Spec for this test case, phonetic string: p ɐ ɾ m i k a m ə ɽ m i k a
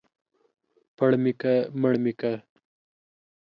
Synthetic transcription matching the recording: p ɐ ɽ m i k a m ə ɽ m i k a